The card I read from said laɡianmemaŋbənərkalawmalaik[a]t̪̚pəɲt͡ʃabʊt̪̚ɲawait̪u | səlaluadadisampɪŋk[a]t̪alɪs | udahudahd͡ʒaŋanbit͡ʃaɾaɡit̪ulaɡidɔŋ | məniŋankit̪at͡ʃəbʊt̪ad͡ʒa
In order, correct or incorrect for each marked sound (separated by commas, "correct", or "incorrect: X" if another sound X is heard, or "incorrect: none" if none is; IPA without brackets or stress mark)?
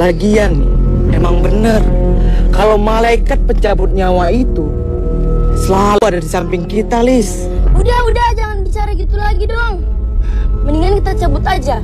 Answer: correct, incorrect: i